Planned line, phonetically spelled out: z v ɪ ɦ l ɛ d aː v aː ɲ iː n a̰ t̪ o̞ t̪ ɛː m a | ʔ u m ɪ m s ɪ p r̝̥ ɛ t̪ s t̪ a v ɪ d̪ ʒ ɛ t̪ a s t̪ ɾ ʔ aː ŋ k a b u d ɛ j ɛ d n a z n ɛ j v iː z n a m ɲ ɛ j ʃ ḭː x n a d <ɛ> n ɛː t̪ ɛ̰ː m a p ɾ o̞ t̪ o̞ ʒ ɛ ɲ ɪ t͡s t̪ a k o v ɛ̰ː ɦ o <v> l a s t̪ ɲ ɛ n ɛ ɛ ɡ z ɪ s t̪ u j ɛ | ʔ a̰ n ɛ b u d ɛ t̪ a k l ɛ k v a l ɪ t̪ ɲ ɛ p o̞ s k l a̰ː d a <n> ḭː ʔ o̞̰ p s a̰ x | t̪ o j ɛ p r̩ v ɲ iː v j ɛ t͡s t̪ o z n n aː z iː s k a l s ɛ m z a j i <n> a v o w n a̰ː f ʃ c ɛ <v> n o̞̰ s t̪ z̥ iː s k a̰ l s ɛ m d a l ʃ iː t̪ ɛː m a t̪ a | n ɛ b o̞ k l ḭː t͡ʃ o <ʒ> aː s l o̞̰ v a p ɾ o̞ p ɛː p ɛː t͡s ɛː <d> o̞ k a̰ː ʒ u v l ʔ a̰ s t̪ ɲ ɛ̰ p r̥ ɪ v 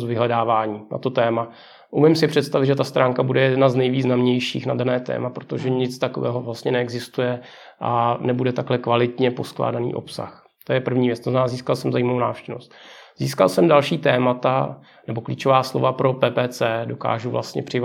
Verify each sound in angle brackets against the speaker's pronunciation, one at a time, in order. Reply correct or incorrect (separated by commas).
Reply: incorrect, correct, correct, incorrect, correct, incorrect, correct